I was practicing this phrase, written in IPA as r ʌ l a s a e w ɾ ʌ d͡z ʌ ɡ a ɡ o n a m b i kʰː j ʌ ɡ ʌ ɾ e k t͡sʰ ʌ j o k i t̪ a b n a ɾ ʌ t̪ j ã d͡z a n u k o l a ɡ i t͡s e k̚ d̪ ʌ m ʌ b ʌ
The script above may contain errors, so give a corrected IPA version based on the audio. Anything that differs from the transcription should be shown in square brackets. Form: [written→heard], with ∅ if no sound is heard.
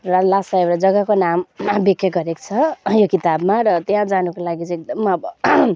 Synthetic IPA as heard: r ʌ l a s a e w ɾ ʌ d͡z ʌ ɡ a [ɡ→k] o n a m b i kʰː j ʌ ɡ ʌ ɾ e k t͡sʰ ʌ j o k i t̪ a b [n→m] a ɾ ʌ t̪ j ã d͡z a n u k o l a ɡ i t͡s e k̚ d̪ ʌ m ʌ b ʌ